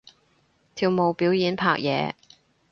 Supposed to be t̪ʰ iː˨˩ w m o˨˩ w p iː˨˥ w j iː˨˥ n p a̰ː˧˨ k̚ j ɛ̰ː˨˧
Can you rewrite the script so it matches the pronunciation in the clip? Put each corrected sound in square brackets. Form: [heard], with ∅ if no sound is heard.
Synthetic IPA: t̪ʰ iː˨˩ w m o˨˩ w p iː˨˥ w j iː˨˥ n [pʰ] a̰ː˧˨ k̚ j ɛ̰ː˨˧